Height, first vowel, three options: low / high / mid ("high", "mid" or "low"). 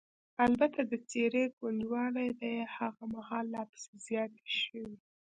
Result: low